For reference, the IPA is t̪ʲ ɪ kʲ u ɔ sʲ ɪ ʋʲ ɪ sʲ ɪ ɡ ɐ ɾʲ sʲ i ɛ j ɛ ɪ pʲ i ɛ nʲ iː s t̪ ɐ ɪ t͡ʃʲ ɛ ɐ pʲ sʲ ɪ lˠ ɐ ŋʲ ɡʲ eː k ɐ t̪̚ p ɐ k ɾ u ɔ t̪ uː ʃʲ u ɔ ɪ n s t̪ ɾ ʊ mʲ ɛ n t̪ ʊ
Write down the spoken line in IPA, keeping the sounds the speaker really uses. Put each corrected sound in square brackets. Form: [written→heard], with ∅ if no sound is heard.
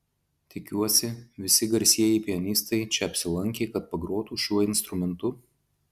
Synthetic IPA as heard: t̪ʲ ɪ kʲ u ɔ sʲ ɪ ʋʲ ɪ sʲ ɪ ɡ ɐ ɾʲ sʲ i ɛ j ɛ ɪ pʲ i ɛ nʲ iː s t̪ ɐ ɪ t͡ʃʲ ɛ ɐ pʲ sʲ ɪ lˠ ɐ ŋʲ [ɡʲ→kʲ] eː k ɐ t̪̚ p ɐ [k→ɡ] ɾ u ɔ t̪ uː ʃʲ u ɔ ɪ n s t̪ ɾ ʊ mʲ ɛ n t̪ ʊ